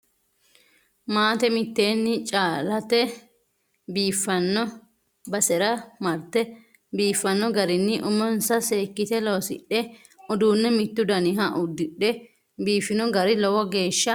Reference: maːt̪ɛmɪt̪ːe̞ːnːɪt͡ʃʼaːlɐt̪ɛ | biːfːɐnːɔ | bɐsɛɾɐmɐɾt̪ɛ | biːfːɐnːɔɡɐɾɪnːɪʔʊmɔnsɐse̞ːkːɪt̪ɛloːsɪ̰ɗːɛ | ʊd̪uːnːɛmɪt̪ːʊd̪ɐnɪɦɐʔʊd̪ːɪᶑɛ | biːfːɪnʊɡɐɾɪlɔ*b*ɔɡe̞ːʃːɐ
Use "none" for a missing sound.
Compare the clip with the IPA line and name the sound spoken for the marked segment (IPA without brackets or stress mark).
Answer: w